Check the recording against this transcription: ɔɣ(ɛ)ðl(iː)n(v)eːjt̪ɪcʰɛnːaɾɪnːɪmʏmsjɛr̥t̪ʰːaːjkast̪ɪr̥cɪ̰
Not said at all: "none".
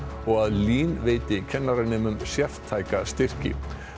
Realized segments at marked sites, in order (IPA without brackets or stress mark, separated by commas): a, iː, v